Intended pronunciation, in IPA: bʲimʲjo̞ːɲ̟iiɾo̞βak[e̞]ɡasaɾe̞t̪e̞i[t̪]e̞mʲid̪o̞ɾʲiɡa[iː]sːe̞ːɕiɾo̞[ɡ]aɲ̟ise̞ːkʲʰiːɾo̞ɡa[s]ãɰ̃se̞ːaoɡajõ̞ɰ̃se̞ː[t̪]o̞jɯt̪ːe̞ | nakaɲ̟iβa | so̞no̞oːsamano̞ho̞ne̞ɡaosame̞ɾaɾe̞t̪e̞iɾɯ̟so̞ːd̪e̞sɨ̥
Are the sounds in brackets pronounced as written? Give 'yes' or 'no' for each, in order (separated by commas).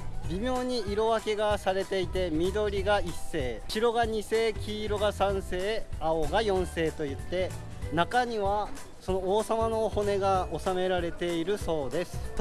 yes, yes, no, yes, yes, yes